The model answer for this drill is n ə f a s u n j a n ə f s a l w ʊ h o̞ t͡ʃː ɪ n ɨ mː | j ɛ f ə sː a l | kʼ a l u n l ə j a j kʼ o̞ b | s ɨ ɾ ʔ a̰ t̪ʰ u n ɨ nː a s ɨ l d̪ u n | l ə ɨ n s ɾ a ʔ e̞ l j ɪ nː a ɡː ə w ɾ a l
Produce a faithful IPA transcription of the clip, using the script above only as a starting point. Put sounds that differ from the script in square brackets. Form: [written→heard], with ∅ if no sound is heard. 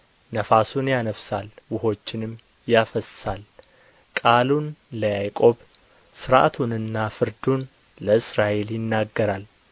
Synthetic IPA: n ə f a s u n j a n ə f s a l w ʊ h o̞ t͡ʃː ɪ n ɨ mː | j [ɛ→a] f ə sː a l | kʼ a l u n l ə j a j kʼ o̞ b | s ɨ ɾ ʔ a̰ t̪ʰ u n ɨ nː a [s→f] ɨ [l→ɾ] d̪ u n | l ə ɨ [n→∅] s ɾ a ʔ e̞ l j ɪ nː a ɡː ə [w→∅] ɾ a l